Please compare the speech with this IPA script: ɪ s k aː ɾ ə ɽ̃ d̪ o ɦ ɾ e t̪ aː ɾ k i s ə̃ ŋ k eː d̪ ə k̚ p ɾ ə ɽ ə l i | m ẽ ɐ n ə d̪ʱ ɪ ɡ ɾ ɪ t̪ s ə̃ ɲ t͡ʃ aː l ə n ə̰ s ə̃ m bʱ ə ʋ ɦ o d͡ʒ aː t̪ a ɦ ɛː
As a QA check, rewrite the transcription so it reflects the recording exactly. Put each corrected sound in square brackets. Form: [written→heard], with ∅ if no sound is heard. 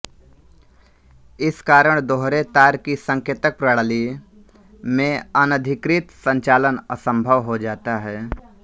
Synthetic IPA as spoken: ɪ s k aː ɾ ə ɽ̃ d̪ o ɦ ɾ e t̪ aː ɾ k i s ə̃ ŋ k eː [d̪→t̪] ə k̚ p ɾ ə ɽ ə l i | m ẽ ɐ n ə d̪ʱ ɪ [ɡ→k] ɾ ɪ t̪ s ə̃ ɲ t͡ʃ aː l ə n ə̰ s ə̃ m bʱ ə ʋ ɦ o d͡ʒ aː t̪ a ɦ ɛː

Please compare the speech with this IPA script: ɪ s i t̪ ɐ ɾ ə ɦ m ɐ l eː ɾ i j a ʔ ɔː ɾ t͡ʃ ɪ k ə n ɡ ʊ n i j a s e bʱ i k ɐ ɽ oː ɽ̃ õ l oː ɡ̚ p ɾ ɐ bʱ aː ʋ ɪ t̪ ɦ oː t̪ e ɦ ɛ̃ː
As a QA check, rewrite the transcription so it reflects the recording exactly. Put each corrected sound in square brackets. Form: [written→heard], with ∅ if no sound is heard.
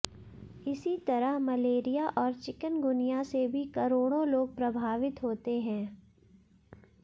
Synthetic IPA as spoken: ɪ s i t̪ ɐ ɾ ə ɦ m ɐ l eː ɾ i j a ʔ ɔː ɾ t͡ʃ ɪ k ə n ɡ ʊ n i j a s e bʱ i k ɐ [ɽ→ɾ] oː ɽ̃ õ l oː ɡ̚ p ɾ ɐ bʱ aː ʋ ɪ t̪ ɦ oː t̪ e ɦ ɛ̃ː

